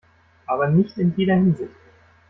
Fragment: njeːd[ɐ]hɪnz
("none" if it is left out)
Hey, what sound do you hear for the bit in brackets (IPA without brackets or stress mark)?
ɐ